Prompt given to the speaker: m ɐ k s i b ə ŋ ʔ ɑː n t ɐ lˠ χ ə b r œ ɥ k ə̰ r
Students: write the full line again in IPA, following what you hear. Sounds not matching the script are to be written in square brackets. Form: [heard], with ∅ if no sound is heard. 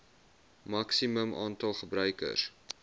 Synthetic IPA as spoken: m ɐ k s i [m] ə [m] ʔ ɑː n t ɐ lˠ χ ə b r œ ɥ k ə̰ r